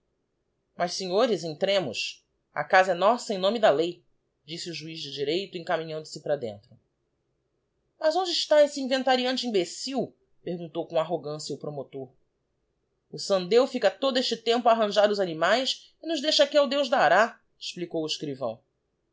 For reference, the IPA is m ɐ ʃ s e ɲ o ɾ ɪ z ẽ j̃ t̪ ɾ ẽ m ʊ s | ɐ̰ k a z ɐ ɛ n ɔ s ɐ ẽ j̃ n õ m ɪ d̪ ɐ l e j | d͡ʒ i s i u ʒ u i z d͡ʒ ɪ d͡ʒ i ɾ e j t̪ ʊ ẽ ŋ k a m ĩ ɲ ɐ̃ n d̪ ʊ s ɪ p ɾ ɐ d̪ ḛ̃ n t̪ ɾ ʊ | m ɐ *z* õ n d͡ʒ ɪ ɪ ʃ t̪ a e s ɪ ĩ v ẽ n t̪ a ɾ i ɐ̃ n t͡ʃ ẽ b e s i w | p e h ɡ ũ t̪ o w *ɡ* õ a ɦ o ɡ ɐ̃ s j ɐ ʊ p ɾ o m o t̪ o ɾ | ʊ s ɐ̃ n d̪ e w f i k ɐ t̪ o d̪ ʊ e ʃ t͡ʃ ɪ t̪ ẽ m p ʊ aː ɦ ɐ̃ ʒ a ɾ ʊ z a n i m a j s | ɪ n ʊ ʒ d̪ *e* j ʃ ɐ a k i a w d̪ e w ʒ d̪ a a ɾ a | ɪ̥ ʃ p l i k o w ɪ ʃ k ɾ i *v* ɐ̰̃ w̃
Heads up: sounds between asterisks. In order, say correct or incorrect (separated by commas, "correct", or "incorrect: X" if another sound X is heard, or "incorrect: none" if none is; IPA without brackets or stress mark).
correct, incorrect: k, correct, correct